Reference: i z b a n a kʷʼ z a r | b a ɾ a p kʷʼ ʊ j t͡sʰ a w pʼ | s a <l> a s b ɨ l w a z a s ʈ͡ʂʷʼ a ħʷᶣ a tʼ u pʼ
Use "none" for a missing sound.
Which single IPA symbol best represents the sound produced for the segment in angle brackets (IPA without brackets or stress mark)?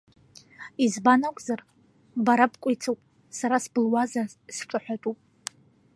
ɾ